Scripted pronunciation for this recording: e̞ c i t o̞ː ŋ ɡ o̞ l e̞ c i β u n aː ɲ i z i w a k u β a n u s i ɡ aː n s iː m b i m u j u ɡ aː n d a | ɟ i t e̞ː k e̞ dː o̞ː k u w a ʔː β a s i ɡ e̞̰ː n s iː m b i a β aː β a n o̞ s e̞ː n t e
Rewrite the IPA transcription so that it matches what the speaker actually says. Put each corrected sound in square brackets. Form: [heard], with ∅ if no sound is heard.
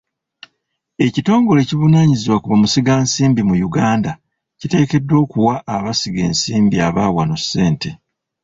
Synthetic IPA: e̞ c i t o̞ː ŋ ɡ o̞ l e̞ c i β u n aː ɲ i z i w a k u β a [m] u s i ɡ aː n s iː m b i m u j u ɡ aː n d a | [c] i t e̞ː k e̞ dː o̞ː k u w a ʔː β a s i ɡ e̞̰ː n s iː m b i a β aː [w] a n o̞ s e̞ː n t e